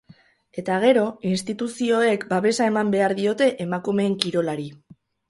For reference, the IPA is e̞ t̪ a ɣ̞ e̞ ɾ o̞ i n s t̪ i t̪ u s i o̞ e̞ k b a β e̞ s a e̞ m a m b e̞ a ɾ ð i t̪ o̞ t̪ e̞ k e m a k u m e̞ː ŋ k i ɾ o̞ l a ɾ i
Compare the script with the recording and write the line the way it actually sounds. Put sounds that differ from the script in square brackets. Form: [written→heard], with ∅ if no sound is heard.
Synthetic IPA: e̞ t̪ a ɣ̞ e̞ ɾ o̞ i n s t̪ i t̪ u s i o̞ e̞ k b a β e̞ s a e̞ m a m b e̞ a ɾ ð i [t̪→∅] o̞ t̪ e̞ [k→ʔ] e m a k u m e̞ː ŋ k i ɾ o̞ l a ɾ i